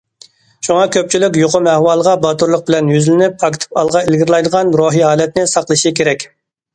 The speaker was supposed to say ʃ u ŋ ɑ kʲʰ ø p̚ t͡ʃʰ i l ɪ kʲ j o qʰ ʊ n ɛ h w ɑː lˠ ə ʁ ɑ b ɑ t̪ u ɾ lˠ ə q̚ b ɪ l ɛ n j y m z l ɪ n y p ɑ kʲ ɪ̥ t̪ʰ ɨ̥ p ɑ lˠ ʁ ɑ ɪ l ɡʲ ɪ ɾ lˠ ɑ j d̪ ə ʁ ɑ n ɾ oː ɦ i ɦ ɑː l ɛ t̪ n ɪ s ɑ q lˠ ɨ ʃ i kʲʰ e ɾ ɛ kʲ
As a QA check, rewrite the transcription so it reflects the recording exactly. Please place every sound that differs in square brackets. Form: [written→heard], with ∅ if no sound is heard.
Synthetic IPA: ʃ u ŋ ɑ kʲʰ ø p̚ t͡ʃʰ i l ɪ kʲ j o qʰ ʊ [n→m] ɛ h w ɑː lˠ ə ʁ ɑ b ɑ t̪ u ɾ lˠ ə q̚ b ɪ l ɛ n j y [m→∅] z l ɪ n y p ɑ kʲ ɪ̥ t̪ʰ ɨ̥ p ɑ lˠ ʁ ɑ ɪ l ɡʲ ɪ ɾ lˠ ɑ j d̪ ə ʁ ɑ n ɾ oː ɦ i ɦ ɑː l ɛ t̪ n ɪ s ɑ q lˠ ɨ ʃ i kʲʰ e ɾ ɛ kʲ